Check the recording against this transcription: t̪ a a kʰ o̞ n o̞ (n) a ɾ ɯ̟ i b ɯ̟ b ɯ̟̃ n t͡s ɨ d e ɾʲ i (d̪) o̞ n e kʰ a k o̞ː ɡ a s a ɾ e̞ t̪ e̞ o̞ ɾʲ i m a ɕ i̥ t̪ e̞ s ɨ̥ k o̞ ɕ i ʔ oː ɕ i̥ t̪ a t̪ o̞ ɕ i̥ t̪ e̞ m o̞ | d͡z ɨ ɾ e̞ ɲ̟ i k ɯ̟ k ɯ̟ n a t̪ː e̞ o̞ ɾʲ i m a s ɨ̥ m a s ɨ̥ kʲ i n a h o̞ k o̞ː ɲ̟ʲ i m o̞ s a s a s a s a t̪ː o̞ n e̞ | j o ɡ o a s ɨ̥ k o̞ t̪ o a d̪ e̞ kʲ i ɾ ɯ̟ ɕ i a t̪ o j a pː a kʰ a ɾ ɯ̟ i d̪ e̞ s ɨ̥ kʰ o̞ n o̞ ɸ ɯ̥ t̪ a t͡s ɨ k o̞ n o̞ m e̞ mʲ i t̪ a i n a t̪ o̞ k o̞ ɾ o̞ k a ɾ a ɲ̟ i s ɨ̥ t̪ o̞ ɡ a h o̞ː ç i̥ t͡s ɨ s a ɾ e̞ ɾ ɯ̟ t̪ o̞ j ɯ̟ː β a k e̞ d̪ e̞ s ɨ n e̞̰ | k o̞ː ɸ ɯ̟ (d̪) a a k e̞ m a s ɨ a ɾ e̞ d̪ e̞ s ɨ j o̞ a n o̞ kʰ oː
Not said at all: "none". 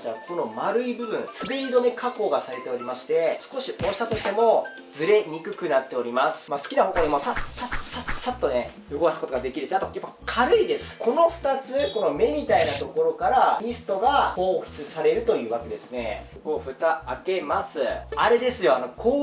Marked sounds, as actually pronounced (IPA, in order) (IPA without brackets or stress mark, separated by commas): m, d̪, t̪